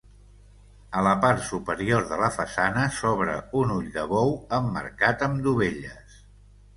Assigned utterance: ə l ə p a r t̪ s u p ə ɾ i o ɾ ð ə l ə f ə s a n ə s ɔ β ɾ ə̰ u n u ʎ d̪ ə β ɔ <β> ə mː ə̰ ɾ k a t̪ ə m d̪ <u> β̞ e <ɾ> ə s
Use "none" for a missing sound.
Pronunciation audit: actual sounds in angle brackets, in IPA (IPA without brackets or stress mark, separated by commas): w, u, ʎ